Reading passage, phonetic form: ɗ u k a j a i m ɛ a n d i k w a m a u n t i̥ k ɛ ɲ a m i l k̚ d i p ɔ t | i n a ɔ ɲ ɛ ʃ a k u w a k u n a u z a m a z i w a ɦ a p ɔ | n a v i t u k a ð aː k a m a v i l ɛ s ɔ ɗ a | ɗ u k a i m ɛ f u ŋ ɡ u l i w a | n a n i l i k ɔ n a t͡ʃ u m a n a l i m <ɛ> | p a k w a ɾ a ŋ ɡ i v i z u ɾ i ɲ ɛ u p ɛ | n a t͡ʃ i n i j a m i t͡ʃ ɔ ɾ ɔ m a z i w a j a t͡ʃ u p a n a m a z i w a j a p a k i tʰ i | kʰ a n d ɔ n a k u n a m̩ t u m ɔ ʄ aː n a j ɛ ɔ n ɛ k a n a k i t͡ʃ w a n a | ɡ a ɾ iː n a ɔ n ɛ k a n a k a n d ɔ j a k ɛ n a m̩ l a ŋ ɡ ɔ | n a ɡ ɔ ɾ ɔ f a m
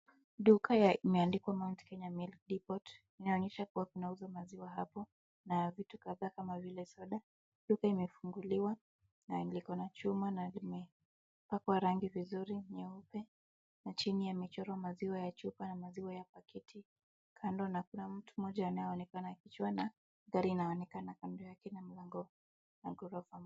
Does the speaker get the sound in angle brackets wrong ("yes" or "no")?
no